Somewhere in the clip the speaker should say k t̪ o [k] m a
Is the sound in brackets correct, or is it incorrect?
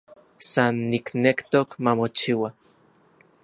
correct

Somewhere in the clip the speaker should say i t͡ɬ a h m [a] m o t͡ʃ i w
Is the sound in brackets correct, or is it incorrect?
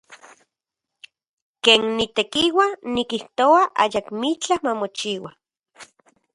correct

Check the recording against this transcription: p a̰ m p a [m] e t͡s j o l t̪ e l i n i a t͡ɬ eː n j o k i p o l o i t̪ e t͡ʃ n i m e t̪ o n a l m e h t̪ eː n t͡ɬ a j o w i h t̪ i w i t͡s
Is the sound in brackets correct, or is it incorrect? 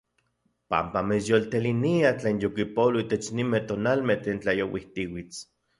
correct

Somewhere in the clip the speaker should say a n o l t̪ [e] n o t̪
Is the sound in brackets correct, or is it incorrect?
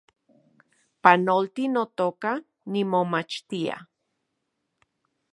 incorrect: i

